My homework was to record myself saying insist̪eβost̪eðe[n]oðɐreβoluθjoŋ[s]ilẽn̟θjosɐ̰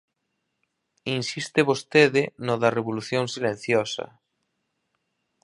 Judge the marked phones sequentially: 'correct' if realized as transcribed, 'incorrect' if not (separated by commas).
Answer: correct, correct